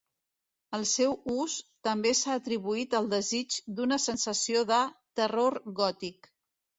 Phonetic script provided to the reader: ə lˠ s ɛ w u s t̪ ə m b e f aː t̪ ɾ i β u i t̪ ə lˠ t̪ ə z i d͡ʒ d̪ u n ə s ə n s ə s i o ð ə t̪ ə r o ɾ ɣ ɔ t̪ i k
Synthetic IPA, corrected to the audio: ə lˠ s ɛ w u s t̪ ə m b e s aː t̪ ɾ i β u i t̪ ə lˠ d̪ ə z i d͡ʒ d̪ u n ə s ə n s ə s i o ð ə t̪ ə r o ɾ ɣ ɔ t̪ i k